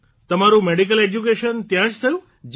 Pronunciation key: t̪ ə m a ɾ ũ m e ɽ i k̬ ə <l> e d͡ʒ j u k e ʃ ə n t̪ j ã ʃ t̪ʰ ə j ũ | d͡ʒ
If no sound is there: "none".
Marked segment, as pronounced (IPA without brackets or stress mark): l